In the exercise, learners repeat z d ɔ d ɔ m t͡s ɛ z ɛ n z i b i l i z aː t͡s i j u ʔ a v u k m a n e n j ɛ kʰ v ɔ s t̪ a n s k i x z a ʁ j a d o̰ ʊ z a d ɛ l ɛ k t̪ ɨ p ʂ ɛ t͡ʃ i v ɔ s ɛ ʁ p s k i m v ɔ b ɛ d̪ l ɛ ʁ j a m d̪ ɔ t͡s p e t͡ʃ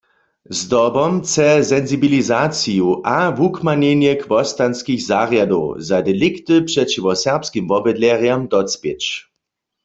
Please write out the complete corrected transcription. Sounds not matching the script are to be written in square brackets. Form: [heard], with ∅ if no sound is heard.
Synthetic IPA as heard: z d ɔ [b] ɔ m t͡s ɛ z ɛ n z i b i l i z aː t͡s i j u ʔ a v u k m a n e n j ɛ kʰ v ɔ s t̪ a n s k i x z a ʁ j a d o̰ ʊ z a d ɛ l [i] k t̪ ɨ p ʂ ɛ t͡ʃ i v ɔ s ɛ ʁ p s k i m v ɔ b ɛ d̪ l ɛ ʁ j a m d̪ ɔ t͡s p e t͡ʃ